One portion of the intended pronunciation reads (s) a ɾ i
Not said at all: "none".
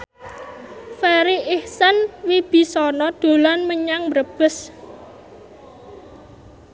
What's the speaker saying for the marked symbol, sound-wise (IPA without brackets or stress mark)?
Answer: f